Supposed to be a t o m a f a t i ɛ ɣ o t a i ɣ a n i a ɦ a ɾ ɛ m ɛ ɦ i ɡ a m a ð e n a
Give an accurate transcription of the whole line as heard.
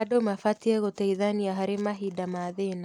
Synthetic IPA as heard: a d o m a f a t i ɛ ɣ o t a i ð a n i a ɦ a ɾ e m a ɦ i d a m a ð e n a